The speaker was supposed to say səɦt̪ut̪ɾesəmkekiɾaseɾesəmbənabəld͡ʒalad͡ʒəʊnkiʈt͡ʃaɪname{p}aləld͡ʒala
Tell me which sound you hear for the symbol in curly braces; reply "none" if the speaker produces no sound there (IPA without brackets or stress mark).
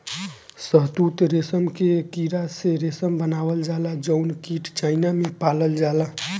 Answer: p